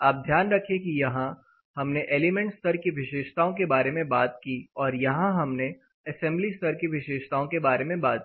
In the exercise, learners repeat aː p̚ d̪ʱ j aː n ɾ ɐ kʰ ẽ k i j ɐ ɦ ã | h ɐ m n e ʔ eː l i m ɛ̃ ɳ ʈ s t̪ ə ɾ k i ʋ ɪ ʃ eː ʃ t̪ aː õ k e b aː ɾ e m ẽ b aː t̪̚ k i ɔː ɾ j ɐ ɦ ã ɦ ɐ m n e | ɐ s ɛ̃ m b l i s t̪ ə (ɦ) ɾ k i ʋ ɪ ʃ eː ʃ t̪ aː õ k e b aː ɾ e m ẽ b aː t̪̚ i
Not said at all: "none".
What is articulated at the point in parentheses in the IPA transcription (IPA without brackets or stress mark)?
none